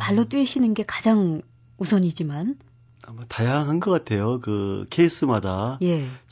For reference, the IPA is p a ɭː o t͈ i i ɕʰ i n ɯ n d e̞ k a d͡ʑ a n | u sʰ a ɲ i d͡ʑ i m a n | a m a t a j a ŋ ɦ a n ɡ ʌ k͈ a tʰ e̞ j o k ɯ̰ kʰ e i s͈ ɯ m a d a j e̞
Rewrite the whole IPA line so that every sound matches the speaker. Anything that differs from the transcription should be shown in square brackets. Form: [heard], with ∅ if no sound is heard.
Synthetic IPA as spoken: p a ɭː o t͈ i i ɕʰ i n ɯ n [ɡ] e̞ k a d͡ʑ a [ŋ] | u sʰ [ʌ] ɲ i d͡ʑ i m a n | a m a t a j a ŋ ɦ a n ɡ ʌ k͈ a tʰ e̞ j o k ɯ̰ kʰ e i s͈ ɯ m a d a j e̞